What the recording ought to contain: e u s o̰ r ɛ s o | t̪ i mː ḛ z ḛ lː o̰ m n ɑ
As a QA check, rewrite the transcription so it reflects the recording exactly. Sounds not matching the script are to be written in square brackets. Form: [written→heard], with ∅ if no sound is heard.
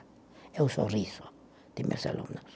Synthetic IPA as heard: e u s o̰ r [ɛ→i] s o | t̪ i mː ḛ [z→s] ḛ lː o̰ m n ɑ